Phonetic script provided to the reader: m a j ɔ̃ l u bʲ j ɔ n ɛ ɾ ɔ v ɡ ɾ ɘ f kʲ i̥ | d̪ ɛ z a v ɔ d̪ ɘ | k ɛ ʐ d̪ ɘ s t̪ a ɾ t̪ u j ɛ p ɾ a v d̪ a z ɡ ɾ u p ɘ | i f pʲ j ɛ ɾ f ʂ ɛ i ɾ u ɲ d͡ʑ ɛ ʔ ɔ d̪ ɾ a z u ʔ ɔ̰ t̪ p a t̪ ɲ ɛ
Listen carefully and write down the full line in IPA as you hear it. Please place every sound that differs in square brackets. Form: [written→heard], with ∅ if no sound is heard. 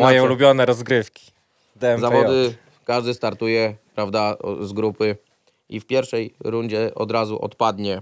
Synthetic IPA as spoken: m a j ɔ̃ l u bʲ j ɔ n ɛ ɾ ɔ [v→z] ɡ ɾ ɘ f kʲ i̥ | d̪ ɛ z a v ɔ d̪ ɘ | k [ɛ→a] ʐ d̪ ɘ s t̪ a ɾ t̪ u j ɛ p ɾ a v d̪ a z ɡ ɾ u p ɘ | i f pʲ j ɛ ɾ f ʂ ɛ [i→j] ɾ u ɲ d͡ʑ ɛ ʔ ɔ d̪ ɾ a z u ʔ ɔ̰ t̪ p a [t̪→d̪] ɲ ɛ